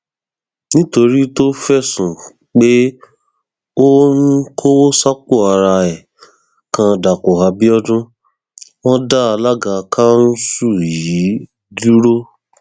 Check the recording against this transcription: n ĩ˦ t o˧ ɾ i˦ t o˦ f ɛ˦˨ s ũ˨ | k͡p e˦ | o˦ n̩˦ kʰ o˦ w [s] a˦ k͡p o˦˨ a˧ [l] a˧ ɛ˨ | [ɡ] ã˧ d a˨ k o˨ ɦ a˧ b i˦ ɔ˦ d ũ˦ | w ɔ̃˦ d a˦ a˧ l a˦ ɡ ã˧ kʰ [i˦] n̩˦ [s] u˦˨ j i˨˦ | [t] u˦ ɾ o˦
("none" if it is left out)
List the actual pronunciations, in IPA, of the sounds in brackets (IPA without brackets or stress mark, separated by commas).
s, ɾ, k, a˦, s, d